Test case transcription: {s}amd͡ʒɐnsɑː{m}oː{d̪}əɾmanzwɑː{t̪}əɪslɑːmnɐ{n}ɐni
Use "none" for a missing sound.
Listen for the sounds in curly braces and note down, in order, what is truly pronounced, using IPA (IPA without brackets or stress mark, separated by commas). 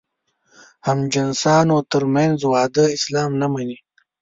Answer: h, n, t̪, d̪, m